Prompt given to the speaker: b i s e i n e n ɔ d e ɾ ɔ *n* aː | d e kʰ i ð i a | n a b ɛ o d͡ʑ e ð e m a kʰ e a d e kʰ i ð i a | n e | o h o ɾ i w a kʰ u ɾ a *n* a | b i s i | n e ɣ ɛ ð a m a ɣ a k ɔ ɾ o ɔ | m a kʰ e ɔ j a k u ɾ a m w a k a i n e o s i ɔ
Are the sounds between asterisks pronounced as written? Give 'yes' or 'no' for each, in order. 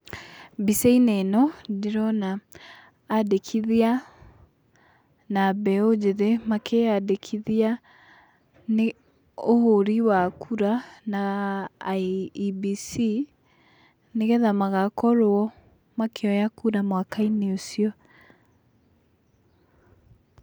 yes, yes

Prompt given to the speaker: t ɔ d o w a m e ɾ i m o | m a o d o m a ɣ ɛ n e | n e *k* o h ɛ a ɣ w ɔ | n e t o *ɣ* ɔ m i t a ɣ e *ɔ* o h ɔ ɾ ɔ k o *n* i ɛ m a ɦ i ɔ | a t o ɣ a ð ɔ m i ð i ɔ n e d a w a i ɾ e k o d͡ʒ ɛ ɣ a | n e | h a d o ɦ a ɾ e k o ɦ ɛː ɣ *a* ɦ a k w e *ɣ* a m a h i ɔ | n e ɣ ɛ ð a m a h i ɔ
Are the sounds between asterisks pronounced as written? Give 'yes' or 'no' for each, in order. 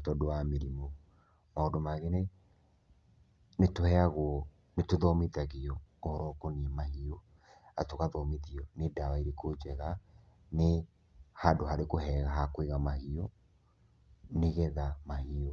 no, no, yes, yes, yes, yes

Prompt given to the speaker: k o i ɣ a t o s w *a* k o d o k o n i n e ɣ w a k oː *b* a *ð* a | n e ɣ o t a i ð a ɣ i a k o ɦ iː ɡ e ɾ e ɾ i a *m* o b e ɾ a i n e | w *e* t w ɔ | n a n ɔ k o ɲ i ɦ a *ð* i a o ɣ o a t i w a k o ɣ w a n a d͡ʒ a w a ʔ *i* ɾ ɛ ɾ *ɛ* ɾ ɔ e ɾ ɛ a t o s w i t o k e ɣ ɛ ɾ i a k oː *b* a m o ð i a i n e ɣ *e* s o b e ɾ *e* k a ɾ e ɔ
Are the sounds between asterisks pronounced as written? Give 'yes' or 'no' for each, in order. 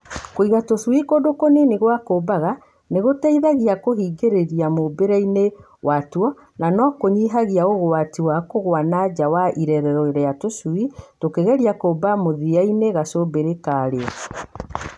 no, yes, no, yes, no, no, yes, yes, yes, no, yes

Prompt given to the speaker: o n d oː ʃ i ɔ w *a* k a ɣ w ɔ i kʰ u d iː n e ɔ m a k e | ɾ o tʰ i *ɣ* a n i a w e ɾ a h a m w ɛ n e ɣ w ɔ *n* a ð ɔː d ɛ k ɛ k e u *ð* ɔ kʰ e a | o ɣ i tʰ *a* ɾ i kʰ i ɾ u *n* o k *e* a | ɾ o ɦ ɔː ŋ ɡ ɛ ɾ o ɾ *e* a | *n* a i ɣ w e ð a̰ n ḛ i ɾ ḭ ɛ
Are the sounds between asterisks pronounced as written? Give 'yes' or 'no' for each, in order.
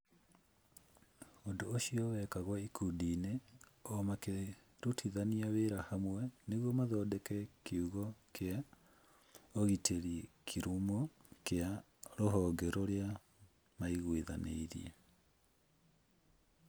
no, no, no, no, no, no, yes, yes, no

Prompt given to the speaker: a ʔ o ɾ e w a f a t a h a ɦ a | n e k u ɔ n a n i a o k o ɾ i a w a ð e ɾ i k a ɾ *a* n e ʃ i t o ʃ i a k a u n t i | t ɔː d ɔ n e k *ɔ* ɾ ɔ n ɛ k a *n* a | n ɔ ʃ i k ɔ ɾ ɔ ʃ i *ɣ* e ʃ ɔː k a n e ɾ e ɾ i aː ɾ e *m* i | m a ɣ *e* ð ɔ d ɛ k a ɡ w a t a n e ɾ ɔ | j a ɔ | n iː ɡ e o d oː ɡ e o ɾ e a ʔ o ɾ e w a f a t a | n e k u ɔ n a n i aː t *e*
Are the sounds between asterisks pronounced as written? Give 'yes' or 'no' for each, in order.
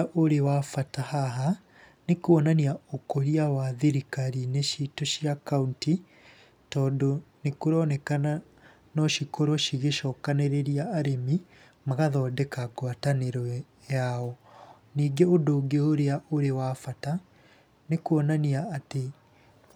no, no, yes, yes, yes, no, yes

